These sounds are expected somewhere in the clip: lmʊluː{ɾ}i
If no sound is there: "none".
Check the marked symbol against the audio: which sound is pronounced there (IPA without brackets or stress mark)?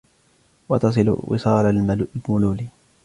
l